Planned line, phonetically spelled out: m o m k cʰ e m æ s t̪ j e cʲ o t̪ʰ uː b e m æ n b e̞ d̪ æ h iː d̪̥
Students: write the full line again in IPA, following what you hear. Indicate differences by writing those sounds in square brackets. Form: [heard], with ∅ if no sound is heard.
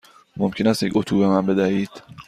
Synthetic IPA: m o m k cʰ e [n] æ s t̪ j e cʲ o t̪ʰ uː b e m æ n b e̞ d̪ æ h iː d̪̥